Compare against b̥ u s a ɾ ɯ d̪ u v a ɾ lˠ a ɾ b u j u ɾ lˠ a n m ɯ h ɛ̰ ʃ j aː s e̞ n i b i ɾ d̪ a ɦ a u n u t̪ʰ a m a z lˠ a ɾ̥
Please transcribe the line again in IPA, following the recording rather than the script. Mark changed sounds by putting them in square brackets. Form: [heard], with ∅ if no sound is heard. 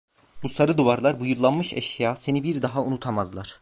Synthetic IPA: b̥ u s a ɾ ɯ d̪ u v a ɾ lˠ a ɾ b u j u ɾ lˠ a n m ɯ [ʃ] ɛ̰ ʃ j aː s e̞ n i b i ɾ d̪ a ɦ a u n u t̪ʰ a m a z lˠ a ɾ̥